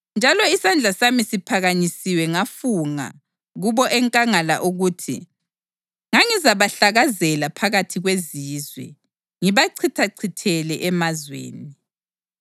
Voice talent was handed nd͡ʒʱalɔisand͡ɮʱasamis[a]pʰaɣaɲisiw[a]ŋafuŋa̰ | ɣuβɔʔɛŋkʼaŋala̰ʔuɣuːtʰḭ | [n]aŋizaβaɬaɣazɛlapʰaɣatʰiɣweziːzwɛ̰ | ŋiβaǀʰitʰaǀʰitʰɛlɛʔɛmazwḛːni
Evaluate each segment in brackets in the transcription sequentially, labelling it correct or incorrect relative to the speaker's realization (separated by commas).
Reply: incorrect, incorrect, incorrect